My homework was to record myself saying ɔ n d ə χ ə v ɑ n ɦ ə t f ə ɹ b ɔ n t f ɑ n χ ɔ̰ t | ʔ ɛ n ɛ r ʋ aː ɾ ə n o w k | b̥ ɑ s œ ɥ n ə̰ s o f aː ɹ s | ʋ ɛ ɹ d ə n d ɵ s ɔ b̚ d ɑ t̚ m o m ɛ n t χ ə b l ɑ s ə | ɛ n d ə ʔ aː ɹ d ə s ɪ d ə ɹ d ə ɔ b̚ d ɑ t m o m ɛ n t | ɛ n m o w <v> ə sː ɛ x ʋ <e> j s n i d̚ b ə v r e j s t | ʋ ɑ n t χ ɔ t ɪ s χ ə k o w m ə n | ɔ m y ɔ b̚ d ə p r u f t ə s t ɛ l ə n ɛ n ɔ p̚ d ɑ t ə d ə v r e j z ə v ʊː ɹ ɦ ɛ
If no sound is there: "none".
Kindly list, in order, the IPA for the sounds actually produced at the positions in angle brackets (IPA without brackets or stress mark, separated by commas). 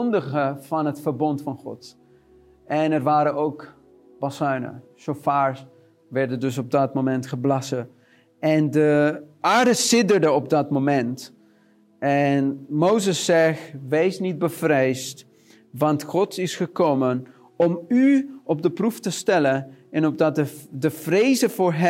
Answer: z, e